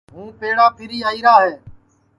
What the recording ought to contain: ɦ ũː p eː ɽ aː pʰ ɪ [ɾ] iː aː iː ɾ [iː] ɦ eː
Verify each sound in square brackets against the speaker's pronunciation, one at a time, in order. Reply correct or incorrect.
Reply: correct, incorrect

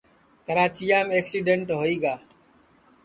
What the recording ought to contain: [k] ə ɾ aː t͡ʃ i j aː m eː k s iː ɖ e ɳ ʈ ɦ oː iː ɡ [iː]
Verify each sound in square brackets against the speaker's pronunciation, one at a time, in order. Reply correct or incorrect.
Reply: correct, incorrect

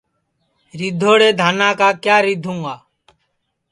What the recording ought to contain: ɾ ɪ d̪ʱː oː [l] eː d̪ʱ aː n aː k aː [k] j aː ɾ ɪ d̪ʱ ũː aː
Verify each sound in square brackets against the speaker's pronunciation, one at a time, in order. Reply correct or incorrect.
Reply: incorrect, correct

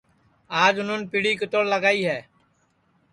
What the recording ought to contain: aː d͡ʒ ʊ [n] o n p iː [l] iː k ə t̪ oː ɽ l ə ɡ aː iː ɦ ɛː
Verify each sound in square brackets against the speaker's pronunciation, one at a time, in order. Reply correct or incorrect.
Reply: correct, incorrect

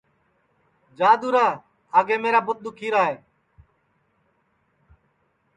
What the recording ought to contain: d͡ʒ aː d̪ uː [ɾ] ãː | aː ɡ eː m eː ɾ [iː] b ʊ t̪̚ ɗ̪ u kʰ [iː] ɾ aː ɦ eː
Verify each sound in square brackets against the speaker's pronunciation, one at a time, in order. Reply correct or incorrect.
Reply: correct, incorrect, correct

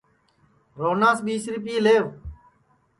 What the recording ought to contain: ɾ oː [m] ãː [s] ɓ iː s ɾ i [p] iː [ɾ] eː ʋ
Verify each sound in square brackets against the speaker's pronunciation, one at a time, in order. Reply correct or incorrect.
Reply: incorrect, correct, correct, incorrect

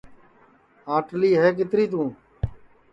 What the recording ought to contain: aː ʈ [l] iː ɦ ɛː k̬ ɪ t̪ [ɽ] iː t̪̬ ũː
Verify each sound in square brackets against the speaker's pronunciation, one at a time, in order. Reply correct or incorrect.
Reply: correct, incorrect

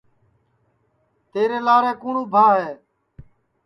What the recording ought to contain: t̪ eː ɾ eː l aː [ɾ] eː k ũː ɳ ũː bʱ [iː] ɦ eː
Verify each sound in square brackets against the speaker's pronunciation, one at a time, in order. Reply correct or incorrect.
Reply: correct, incorrect

